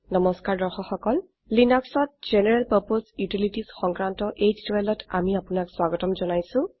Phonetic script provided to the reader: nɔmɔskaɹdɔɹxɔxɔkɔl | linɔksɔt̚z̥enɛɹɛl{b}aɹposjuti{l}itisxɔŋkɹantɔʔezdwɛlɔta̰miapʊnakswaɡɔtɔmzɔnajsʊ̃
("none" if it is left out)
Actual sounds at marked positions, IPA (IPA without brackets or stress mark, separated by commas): p, l